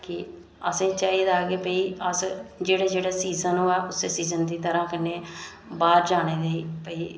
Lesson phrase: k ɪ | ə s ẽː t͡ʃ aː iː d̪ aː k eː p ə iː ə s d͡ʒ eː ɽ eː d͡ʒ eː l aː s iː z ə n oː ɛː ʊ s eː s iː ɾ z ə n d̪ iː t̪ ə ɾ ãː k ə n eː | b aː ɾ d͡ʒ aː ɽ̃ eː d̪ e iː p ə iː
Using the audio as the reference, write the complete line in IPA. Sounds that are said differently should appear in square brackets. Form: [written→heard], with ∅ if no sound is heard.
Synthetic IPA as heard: k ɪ | ə s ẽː t͡ʃ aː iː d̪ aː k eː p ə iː ə s d͡ʒ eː ɽ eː d͡ʒ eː [l→ɽ] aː s iː z ə n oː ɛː ʊ s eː s iː [ɾ→∅] z ə n d̪ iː t̪ ə ɾ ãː k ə n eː | b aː ɾ d͡ʒ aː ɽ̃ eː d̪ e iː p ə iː